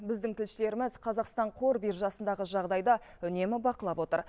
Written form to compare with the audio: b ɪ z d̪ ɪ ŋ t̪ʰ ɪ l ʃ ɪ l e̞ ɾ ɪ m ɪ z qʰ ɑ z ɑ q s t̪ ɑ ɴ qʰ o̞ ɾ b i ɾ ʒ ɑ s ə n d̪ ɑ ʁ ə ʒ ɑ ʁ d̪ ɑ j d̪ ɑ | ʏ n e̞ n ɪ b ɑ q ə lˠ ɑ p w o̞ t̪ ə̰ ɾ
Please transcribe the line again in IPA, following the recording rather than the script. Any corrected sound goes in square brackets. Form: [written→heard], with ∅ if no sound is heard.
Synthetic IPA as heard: b ɪ z d̪ ɪ ŋ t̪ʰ ɪ l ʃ ɪ l e̞ ɾ ɪ m ɪ z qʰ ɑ z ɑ q s t̪ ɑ ɴ qʰ o̞ ɾ b i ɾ ʒ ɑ s ə n d̪ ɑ ʁ ə ʒ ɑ ʁ d̪ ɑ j d̪ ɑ | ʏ n e̞ [n→m] ɪ b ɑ q ə lˠ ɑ p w o̞ t̪ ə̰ ɾ